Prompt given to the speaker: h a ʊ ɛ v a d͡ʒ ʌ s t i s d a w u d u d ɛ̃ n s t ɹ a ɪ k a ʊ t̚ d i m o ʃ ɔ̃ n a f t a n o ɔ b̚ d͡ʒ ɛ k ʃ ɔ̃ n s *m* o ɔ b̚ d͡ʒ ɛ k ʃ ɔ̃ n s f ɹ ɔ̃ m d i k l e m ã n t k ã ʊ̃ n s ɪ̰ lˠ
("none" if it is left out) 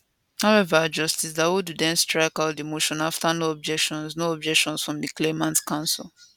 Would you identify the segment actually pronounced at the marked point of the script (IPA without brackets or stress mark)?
n